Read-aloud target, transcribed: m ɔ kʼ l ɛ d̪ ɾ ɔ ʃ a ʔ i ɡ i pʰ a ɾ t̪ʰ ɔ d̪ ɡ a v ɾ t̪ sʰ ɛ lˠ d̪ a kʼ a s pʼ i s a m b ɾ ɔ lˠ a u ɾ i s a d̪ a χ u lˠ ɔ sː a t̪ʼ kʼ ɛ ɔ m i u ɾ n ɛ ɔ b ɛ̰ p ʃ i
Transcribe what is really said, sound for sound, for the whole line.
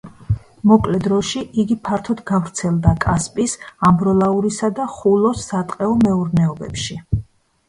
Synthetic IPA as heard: m ɔ kʼ l ɛ d̪ ɾ ɔ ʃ i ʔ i ɡ i pʰ a ɾ t̪ʰ ɔ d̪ ɡ a v ɾ t̪ sʰ ɛ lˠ d̪ a kʼ a s pʼ i s a m b ɾ ɔ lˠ a u ɾ i s a d̪ a χ u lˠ ɔ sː a t̪ʼ qʼ ɛ ɔ m ɛ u ɾ n ɛ ɔ b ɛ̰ p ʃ i